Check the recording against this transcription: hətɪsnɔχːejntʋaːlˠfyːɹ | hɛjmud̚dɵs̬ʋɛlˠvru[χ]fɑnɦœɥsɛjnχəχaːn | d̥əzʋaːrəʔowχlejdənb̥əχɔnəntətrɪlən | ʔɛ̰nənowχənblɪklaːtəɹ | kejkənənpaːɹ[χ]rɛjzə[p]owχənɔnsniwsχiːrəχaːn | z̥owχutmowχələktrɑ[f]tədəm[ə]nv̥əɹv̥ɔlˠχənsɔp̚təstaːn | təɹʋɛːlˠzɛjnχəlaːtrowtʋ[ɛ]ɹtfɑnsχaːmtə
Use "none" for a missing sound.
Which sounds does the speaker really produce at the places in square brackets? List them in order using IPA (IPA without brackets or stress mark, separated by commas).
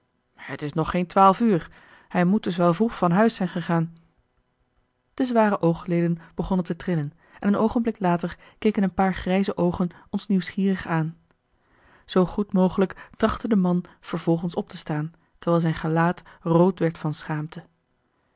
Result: χ, χ, ʔ, χ, ɑ, ɛ